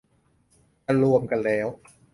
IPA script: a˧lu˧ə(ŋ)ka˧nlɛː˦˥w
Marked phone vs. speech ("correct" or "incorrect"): incorrect